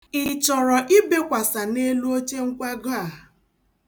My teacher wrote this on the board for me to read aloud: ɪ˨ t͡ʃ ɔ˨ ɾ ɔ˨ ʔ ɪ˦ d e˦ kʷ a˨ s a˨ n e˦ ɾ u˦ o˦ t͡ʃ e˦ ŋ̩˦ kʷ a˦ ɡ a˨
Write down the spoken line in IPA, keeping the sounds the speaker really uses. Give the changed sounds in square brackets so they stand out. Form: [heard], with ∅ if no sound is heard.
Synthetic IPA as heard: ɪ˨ t͡ʃ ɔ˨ ɾ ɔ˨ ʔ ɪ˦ [b] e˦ kʷ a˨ s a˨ n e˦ [l] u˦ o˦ t͡ʃ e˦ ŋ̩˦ kʷ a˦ ɡ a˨